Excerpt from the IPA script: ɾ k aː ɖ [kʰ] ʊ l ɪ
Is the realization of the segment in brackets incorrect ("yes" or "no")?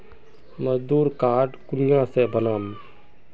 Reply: yes